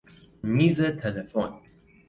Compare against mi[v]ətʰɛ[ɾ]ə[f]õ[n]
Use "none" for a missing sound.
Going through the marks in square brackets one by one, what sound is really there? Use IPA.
z, l, f, n

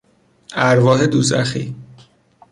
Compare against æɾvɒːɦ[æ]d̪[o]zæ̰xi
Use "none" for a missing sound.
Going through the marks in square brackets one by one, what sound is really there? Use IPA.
e, u

